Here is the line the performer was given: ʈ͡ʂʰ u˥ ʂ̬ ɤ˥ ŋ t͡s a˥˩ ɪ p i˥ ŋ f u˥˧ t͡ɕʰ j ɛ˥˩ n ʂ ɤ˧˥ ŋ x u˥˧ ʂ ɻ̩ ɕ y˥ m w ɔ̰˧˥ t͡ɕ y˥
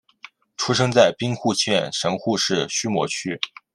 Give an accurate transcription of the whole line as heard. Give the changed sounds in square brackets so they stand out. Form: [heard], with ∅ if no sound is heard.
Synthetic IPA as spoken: ʈ͡ʂʰ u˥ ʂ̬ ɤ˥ ŋ t͡s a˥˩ ɪ p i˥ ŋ [x] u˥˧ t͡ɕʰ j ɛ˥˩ n ʂ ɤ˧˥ ŋ x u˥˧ ʂ ɻ̩ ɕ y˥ m w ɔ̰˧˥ [t͡ɕʰ] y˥